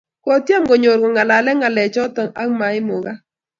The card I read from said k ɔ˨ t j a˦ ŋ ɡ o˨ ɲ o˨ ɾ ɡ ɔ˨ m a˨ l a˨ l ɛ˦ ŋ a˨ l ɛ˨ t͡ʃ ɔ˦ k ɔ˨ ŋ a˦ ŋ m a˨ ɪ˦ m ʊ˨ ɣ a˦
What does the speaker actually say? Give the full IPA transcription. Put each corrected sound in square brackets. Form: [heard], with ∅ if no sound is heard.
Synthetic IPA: k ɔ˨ t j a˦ [m] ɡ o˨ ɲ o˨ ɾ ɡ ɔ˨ [ŋ] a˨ l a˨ l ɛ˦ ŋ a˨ l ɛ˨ t͡ʃ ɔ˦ [t] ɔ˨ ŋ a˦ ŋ m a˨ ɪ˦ m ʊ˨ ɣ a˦

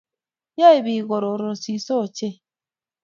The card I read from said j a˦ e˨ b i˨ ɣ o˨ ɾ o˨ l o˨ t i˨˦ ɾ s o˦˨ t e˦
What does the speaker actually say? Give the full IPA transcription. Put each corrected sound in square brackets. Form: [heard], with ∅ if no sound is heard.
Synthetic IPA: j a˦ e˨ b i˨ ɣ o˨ ɾ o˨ [ɾ] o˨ [s] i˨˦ [∅] s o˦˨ [t͡ʃ] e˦

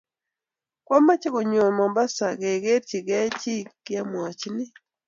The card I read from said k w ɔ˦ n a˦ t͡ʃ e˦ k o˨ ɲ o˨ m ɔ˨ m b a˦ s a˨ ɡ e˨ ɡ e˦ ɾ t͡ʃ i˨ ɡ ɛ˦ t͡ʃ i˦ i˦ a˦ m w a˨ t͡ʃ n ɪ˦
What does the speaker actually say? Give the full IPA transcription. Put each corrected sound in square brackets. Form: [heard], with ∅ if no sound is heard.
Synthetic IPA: k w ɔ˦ [m] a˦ t͡ʃ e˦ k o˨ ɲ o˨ m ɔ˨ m b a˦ s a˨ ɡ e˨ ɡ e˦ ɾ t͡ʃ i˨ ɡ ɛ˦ t͡ʃ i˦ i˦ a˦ m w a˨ t͡ʃ n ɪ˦

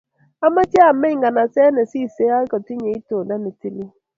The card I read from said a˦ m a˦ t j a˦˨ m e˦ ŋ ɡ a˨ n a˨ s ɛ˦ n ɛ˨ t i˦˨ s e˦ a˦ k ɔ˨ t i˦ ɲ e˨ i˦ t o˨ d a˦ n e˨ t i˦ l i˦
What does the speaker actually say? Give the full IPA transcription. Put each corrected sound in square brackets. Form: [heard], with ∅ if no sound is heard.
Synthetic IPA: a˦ m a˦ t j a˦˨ m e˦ ŋ ɡ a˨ n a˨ s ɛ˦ n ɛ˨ [s] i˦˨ s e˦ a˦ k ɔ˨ t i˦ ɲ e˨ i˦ t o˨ d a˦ n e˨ t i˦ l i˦

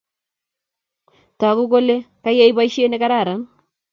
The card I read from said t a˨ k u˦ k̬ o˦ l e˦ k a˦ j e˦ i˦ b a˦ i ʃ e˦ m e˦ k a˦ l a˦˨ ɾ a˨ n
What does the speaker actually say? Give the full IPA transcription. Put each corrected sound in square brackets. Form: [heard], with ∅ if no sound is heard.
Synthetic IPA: t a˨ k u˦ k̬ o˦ l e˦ k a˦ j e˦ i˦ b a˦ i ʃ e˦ [n] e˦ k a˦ [ɾ] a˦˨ ɾ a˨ n

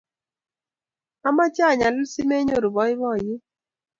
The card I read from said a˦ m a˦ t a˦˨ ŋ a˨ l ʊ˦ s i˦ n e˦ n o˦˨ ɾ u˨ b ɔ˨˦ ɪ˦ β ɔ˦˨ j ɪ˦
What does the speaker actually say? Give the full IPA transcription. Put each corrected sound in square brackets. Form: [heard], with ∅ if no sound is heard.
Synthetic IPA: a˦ m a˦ [t͡ʃ] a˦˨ [ɲ] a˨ l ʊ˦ s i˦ [m] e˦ [ɲ] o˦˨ ɾ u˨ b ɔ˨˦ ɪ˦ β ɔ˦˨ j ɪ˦

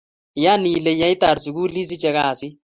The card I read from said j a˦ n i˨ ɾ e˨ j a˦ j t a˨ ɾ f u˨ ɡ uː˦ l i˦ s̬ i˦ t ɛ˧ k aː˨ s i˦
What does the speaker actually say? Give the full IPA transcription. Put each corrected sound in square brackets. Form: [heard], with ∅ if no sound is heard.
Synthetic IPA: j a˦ n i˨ [l] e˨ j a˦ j t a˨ ɾ [s] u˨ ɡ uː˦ l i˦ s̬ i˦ [t͡ʃ] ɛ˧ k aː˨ s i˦

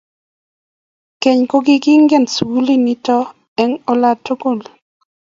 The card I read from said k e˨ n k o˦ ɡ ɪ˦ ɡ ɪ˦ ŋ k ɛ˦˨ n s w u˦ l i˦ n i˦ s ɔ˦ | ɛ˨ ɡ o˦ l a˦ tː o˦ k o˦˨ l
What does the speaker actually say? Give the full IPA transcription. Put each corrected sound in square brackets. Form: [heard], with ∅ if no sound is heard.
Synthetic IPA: k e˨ [ɲ] k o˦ ɡ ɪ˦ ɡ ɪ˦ ŋ [ɡ] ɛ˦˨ n s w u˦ l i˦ n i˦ [t] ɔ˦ | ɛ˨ [ŋ] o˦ l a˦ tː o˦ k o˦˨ l

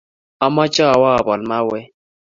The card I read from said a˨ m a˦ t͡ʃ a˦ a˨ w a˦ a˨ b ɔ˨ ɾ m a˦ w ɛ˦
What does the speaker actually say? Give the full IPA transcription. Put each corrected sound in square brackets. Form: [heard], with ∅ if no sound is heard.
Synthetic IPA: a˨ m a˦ t͡ʃ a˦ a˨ w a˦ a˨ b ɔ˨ [l] m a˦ w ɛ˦

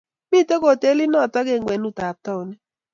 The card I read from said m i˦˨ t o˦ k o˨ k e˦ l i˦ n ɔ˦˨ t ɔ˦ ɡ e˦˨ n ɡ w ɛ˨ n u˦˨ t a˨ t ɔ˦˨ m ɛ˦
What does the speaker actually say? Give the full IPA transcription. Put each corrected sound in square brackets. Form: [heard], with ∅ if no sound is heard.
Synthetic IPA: m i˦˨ t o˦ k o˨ [t] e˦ l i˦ n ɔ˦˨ t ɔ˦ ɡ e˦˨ [ŋ] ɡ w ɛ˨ n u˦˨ t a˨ t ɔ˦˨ [n] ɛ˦

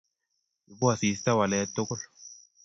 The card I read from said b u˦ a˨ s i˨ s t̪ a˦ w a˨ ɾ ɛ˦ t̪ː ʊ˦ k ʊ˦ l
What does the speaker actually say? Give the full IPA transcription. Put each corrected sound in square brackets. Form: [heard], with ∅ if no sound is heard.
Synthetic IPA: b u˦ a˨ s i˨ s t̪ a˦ w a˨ [l] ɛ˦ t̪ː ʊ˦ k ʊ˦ l

